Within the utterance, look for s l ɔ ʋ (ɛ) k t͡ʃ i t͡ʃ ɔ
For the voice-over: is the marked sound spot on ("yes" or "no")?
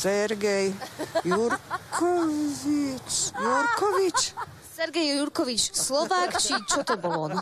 no